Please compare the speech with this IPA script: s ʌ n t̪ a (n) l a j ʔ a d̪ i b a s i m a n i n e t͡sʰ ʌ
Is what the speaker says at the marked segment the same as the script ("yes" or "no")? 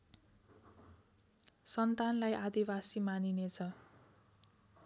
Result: yes